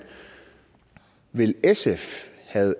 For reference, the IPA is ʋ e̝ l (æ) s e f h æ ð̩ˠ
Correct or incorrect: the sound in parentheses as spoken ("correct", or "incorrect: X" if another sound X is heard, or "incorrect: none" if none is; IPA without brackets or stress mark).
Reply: incorrect: e